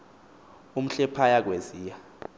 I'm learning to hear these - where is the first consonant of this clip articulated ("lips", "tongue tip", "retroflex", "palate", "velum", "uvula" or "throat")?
lips